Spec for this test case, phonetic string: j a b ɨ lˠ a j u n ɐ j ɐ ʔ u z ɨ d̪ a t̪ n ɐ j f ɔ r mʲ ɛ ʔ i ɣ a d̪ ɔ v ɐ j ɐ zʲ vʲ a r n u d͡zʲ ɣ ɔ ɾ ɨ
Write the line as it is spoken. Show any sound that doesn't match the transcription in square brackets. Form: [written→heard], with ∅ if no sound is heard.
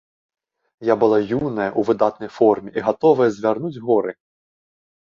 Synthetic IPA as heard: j a b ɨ lˠ a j u n ɐ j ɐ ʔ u [z→v] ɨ d̪ a t̪ n ɐ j f ɔ r mʲ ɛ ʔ i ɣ a [d̪→t̪] ɔ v ɐ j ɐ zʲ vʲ a r n u d͡zʲ ɣ ɔ ɾ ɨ

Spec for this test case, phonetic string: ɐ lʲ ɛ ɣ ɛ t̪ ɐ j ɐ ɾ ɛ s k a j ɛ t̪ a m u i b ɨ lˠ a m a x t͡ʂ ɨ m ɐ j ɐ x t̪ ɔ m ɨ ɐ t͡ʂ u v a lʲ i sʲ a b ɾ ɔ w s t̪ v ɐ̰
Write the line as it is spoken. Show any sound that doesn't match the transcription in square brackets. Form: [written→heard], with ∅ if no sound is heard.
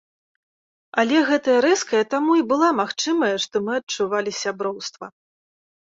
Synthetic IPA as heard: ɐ lʲ ɛ ɣ ɛ t̪ ɐ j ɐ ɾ ɛ s k [a→ɐ] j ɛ t̪ a m u i b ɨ lˠ a m a x t͡ʂ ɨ m ɐ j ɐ [x→ʂ] t̪ ɔ m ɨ ɐ t͡ʂ u v a lʲ i sʲ a b ɾ ɔ w s t̪ v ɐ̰

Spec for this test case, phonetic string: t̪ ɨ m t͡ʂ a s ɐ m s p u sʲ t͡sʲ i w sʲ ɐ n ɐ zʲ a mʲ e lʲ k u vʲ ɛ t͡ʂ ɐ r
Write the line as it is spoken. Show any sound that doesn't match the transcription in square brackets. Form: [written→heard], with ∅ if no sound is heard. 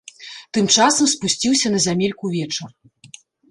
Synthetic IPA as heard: t̪ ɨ m t͡ʂ a s ɐ m s p u sʲ t͡sʲ i w sʲ ɐ n ɐ zʲ a mʲ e lʲ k u vʲ ɛ t͡ʂ ɐ r

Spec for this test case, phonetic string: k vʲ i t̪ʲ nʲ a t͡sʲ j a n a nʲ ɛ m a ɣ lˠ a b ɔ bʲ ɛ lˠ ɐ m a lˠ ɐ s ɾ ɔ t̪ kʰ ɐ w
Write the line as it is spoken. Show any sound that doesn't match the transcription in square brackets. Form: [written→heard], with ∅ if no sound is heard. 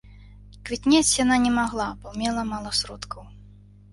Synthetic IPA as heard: k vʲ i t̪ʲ nʲ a t͡sʲ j a n a nʲ ɛ m a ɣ lˠ a b ɔ [bʲ→mʲ] ɛ lˠ ɐ m a lˠ ɐ s ɾ ɔ t̪ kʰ ɐ w

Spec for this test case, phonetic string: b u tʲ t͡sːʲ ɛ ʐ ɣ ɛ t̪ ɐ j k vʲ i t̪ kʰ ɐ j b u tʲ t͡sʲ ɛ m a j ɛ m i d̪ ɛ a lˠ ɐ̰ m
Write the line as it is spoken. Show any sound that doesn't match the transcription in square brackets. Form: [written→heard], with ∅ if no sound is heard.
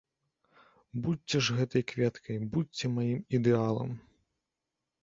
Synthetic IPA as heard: b u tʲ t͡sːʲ ɛ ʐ ɣ ɛ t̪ ɐ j k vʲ [i→ɛ] t̪ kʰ ɐ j b u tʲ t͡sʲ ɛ m a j [ɛ→i] m i d̪ ɛ a lˠ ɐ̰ m

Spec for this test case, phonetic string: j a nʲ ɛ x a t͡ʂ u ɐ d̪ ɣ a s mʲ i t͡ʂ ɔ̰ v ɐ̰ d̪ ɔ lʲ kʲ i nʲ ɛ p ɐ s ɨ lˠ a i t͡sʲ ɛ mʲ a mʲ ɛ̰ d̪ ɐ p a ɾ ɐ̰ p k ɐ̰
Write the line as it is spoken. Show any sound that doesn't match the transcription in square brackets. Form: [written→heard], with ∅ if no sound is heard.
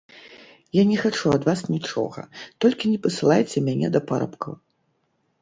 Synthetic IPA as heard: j a nʲ ɛ x a t͡ʂ u ɐ d̪ [ɣ→v] a s [mʲ→nʲ] i t͡ʂ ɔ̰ [v→ɣ] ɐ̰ [d̪→t̪] ɔ lʲ kʲ i nʲ ɛ p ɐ s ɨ lˠ a [i→j] t͡sʲ ɛ mʲ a [mʲ→nʲ] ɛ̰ d̪ ɐ p a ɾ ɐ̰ p k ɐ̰

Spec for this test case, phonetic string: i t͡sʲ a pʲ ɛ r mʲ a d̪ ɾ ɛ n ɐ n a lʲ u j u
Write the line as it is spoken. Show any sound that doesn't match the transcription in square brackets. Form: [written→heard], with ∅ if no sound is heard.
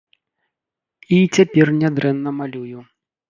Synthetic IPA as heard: i t͡sʲ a pʲ ɛ r [mʲ→nʲ] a d̪ ɾ ɛ [n→nː] ɐ [n→m] a lʲ u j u

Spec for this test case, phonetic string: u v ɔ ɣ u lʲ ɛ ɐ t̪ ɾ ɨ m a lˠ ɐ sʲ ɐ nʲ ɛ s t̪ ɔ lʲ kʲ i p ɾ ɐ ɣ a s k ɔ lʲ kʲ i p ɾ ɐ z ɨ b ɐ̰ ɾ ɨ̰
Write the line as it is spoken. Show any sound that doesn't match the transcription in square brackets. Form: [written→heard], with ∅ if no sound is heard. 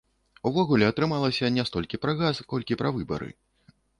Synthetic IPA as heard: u v ɔ ɣ u lʲ ɛ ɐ t̪ ɾ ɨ m a lˠ ɐ sʲ ɐ nʲ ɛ s t̪ ɔ lʲ kʲ i p ɾ ɐ ɣ a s k ɔ lʲ kʲ i p ɾ ɐ [z→v] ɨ b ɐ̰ ɾ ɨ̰

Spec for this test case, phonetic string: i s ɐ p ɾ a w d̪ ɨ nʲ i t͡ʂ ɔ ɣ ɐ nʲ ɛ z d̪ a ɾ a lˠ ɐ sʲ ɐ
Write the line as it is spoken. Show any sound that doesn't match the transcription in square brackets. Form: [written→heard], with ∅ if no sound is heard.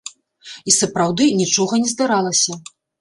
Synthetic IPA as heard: i s ɐ p ɾ a w d̪ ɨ nʲ i t͡ʂ ɔ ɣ ɐ nʲ ɛ z d̪ a ɾ a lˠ ɐ sʲ ɐ

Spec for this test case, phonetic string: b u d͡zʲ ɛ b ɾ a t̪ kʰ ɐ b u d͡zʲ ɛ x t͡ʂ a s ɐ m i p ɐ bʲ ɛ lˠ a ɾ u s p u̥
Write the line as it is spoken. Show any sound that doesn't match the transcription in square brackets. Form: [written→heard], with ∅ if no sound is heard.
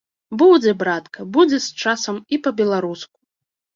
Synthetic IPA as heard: b u d͡zʲ ɛ b ɾ a t̪ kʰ ɐ b u d͡zʲ ɛ [x→s] t͡ʂ a s ɐ m i p ɐ bʲ ɛ lˠ a ɾ u s [p→k] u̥

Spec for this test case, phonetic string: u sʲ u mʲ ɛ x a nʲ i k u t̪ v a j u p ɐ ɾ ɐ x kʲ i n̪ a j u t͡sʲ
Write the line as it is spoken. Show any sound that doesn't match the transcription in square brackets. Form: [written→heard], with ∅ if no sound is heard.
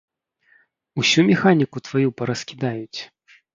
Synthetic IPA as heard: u sʲ u mʲ ɛ x a nʲ i k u t̪ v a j u p ɐ ɾ ɐ [x→s] kʲ i [n̪→d̪] a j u t͡sʲ

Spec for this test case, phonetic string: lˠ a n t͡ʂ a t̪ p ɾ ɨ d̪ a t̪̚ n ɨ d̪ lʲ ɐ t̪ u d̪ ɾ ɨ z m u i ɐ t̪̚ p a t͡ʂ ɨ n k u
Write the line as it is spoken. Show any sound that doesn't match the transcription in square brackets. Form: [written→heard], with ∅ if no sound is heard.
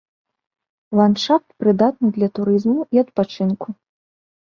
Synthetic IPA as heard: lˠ a n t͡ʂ a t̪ p ɾ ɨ d̪ a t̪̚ n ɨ d̪ lʲ ɐ t̪ u [d̪→∅] ɾ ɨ z m u i ɐ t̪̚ p a t͡ʂ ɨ n k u

